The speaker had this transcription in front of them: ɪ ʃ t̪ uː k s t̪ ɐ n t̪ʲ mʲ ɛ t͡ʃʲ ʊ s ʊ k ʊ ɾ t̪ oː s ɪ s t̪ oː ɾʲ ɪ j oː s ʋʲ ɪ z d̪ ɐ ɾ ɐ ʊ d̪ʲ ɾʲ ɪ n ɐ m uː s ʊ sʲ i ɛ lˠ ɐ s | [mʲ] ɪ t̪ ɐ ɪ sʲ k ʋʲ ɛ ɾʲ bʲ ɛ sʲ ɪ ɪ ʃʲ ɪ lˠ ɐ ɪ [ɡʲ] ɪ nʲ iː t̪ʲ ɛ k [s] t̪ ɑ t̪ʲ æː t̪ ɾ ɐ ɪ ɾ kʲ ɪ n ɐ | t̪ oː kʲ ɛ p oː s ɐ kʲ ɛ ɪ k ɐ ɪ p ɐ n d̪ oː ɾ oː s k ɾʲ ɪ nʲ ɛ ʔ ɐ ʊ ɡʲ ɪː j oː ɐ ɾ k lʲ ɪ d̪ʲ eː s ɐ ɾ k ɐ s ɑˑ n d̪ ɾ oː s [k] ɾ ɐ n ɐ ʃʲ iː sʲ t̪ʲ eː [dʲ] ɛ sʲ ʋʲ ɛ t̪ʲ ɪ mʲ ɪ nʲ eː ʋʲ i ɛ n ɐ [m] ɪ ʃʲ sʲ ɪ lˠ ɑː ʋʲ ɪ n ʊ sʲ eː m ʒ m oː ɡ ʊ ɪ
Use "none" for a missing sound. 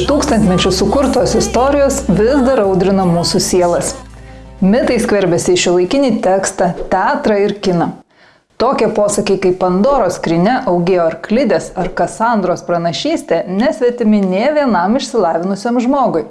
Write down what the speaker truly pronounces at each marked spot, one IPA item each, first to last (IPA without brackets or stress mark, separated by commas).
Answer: mʲ, kʲ, s, p, nʲ, m